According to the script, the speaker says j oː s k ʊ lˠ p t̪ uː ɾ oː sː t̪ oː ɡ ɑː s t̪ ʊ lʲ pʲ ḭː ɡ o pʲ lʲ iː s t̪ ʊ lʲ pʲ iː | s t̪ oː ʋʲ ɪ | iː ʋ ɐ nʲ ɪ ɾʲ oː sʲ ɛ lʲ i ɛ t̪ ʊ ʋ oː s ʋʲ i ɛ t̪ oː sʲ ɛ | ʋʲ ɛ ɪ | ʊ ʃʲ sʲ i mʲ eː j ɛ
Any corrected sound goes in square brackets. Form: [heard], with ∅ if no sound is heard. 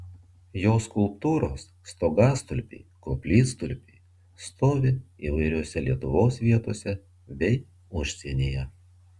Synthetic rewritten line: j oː s k ʊ lˠ p t̪ uː ɾ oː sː t̪ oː ɡ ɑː s t̪ ʊ lʲ pʲ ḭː [k] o pʲ lʲ iː s t̪ ʊ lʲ pʲ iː | s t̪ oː ʋʲ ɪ | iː ʋ ɐ [∅] ɪ ɾʲ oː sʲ ɛ lʲ i ɛ t̪ ʊ ʋ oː s ʋʲ i ɛ t̪ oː sʲ ɛ | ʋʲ ɛ ɪ | ʊ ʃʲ sʲ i [nʲ] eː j ɛ